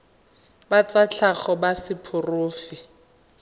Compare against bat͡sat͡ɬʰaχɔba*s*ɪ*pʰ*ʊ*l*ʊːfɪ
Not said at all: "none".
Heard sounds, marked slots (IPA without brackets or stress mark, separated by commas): s, pʰ, r